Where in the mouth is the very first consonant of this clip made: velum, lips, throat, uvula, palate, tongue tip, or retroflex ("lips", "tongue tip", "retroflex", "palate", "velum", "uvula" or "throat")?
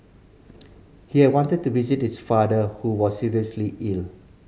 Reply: throat